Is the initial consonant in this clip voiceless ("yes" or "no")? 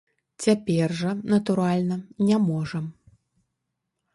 yes